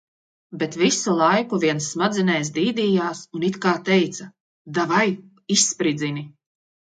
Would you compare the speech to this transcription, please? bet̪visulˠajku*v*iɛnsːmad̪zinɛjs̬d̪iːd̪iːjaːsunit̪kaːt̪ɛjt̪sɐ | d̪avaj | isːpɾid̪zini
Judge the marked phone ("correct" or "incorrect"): correct